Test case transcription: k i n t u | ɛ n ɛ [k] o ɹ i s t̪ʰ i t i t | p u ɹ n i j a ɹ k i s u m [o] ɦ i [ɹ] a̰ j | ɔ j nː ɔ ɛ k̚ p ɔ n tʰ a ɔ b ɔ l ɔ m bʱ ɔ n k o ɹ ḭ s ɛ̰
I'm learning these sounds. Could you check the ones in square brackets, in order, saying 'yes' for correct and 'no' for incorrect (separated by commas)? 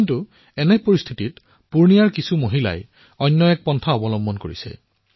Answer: no, yes, no